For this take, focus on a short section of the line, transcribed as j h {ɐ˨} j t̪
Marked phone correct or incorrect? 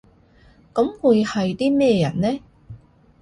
correct